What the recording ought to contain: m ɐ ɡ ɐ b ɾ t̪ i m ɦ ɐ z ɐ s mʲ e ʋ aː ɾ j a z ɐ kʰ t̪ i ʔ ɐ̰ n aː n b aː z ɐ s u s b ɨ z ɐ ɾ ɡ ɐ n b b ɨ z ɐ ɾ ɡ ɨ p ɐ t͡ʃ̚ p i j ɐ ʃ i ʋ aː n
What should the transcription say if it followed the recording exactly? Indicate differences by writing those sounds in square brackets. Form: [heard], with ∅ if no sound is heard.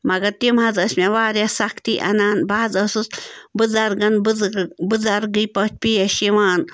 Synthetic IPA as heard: m ɐ ɡ ɐ [∅] ɾ t̪ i m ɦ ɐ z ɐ s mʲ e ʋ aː ɾ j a [s] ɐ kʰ t̪ i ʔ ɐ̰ n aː n b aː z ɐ s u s b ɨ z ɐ ɾ ɡ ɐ n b b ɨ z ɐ ɾ ɡ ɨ p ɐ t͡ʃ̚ p i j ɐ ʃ i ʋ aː n